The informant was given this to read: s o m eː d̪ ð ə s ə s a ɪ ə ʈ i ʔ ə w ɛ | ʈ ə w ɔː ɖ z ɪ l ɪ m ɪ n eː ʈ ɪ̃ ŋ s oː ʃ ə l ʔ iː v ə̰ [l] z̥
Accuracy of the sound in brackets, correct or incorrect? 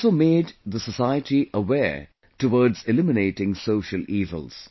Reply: correct